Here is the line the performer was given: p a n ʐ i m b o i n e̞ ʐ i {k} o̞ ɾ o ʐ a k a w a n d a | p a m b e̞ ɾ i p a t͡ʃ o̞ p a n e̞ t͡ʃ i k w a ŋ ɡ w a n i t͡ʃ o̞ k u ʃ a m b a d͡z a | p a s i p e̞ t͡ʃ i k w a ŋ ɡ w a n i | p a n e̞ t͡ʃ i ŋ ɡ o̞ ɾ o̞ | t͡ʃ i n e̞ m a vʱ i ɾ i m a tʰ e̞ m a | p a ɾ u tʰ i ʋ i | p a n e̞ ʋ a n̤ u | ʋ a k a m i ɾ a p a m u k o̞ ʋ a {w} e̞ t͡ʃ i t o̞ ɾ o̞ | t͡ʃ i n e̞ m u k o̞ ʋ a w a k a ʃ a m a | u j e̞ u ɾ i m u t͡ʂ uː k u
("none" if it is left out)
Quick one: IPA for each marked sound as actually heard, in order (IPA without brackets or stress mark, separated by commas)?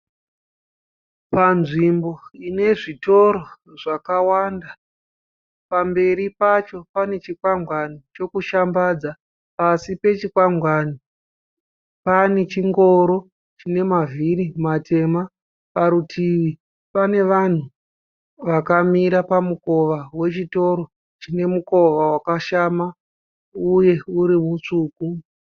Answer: t, w